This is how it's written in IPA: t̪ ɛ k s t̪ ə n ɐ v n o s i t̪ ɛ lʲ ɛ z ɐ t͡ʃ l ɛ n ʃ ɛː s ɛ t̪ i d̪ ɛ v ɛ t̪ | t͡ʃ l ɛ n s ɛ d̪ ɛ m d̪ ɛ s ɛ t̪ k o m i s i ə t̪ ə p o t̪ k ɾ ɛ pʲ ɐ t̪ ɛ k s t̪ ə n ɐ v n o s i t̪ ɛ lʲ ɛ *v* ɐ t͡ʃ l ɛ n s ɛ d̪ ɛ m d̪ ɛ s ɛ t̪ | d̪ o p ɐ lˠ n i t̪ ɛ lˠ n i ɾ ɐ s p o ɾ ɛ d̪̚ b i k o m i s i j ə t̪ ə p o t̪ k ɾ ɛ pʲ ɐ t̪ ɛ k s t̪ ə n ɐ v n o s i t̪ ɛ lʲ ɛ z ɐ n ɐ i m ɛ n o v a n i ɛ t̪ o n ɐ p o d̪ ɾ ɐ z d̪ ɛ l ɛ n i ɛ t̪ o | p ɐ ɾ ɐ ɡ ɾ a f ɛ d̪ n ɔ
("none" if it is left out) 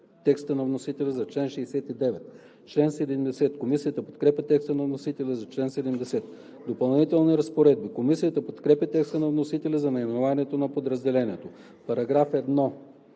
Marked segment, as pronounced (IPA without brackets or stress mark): z